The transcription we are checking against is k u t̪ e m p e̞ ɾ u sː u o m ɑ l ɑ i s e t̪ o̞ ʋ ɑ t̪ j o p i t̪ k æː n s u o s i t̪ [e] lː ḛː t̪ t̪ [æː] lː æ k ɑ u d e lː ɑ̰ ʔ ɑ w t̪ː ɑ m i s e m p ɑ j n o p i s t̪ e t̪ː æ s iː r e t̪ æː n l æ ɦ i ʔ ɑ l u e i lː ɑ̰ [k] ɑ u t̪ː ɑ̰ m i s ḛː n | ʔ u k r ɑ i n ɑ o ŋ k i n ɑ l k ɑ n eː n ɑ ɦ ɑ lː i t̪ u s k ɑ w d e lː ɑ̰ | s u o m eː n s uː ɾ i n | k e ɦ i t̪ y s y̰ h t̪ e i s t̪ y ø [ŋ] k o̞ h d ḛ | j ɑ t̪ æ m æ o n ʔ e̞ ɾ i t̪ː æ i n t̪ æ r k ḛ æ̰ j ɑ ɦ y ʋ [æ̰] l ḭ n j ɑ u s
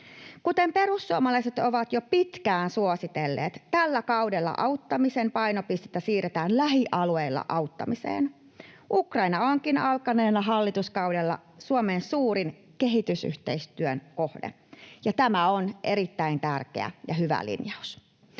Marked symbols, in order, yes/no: yes, no, no, no, yes

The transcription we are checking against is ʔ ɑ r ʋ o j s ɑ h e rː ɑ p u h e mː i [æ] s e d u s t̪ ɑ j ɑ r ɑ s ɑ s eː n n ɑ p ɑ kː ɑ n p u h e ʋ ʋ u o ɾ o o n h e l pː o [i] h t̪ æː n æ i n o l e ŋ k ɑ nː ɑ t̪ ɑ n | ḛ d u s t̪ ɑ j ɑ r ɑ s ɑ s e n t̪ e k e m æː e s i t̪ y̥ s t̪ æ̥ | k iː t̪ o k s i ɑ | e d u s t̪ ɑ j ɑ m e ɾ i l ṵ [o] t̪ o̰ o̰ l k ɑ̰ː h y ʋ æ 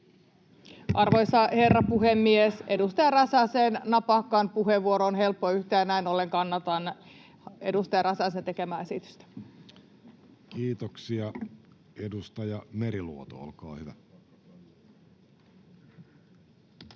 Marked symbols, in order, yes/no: no, no, yes

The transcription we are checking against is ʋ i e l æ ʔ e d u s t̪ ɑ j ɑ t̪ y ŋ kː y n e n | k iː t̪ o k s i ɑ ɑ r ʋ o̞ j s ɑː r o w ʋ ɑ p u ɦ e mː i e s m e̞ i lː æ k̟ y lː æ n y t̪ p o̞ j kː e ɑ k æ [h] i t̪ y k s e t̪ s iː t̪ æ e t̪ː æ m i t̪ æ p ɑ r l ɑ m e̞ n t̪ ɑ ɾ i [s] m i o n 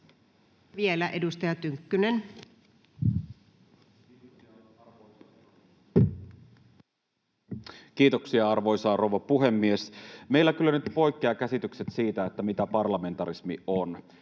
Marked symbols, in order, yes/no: no, yes

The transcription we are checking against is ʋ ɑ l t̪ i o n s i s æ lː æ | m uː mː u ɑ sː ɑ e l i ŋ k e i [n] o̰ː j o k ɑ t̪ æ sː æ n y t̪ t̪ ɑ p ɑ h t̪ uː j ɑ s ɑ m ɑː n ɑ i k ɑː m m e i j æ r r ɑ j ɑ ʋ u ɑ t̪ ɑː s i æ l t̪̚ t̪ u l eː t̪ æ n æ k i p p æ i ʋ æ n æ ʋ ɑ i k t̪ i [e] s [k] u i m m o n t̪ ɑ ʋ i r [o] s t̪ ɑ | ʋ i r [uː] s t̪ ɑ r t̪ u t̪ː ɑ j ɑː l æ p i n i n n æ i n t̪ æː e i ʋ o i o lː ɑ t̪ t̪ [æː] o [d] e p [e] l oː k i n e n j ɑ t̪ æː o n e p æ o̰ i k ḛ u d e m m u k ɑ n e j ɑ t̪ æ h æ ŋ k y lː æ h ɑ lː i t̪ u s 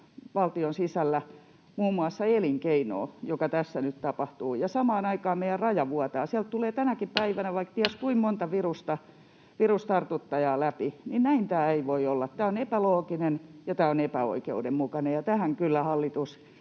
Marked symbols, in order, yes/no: yes, no, yes, no, no, yes, no, no

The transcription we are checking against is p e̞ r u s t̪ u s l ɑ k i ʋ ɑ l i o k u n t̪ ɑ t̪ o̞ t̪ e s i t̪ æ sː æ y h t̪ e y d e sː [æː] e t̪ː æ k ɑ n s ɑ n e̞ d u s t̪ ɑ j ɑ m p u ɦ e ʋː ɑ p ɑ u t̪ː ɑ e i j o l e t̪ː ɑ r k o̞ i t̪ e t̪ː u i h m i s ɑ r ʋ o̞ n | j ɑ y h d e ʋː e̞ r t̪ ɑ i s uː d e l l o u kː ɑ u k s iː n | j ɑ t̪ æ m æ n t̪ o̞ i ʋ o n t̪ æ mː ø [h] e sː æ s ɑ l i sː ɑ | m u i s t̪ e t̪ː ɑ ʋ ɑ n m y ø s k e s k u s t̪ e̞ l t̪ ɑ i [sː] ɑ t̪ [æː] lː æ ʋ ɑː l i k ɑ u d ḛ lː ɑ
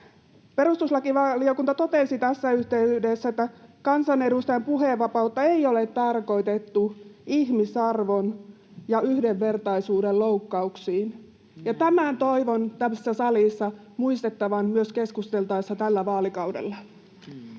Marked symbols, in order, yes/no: no, no, yes, no

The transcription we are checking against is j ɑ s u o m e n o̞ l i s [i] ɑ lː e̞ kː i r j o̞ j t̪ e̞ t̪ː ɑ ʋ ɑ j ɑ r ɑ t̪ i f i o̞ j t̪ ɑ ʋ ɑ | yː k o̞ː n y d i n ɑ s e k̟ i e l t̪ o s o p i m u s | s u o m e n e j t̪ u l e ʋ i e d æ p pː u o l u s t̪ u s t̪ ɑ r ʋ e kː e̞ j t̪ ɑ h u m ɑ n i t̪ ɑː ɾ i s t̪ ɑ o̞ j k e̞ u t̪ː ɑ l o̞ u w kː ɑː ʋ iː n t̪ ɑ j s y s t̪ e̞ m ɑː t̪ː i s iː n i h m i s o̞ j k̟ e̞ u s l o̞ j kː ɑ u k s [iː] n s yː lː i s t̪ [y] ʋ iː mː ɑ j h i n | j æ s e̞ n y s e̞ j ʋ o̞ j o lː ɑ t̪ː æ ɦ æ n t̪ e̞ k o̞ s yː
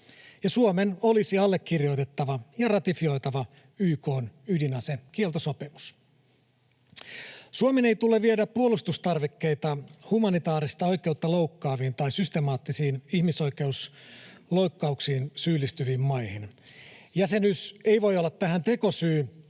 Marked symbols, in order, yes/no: yes, yes, yes

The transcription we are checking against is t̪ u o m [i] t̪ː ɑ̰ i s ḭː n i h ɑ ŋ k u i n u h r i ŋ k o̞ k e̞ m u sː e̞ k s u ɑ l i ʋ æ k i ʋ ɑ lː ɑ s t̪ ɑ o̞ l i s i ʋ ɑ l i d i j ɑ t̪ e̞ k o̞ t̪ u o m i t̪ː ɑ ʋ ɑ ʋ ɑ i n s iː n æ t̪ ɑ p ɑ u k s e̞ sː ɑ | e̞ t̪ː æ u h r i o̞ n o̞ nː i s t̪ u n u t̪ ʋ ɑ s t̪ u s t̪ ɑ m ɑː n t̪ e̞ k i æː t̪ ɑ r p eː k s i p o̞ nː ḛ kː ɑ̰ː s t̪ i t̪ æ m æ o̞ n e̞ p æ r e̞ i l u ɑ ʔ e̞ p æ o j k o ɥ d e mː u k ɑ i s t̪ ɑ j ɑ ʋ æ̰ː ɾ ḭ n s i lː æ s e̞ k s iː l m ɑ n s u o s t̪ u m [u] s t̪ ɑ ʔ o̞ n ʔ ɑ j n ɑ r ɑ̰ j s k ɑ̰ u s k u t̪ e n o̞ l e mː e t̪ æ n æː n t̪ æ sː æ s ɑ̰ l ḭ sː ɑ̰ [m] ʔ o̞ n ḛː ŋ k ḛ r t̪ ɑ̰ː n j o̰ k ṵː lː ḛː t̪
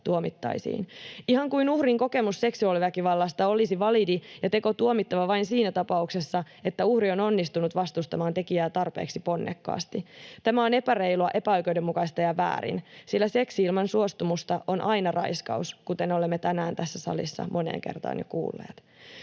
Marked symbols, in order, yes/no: yes, yes, yes

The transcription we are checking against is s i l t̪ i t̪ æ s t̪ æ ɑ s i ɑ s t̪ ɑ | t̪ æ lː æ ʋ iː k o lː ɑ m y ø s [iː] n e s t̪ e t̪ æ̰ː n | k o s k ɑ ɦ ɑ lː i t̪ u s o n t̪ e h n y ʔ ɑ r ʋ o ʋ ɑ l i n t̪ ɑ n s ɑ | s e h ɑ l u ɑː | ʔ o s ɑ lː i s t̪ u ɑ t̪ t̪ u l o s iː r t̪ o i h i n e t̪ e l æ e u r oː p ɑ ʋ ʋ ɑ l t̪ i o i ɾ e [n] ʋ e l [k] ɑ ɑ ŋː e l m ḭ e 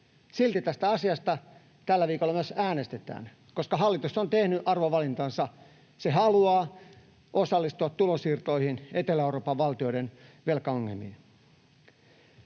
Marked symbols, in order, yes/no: no, yes, yes

